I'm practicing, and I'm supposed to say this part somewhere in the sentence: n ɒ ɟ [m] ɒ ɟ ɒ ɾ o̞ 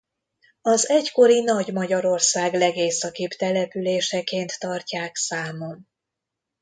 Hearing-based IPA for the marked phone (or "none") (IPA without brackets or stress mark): m